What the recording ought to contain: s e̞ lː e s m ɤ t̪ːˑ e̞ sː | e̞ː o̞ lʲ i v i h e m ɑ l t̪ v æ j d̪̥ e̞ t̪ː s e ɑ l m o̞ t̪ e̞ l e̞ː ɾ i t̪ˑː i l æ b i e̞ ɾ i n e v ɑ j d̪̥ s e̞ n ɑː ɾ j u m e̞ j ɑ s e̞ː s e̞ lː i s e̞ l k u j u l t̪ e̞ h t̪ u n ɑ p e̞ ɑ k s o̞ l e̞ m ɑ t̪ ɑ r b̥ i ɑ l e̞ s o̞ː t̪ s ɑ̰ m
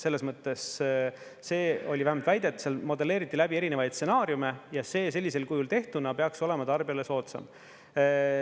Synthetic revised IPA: s e̞ lː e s m ɤ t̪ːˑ e̞ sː | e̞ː o̞ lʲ i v æ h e m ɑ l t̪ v æ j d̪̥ e̞ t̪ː s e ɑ l m o̞ d̪ e̞ l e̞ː ɾ i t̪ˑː i l æ b i e̞ ɾ i n e v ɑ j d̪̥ s e̞ n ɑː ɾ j u m e̞ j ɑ s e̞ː s e̞ lː i s e̞ l k u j u l t̪ e̞ h t̪ u n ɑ p e̞ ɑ k s o̞ l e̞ m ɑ t̪ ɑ r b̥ i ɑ l e̞ s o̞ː t̪ s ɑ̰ m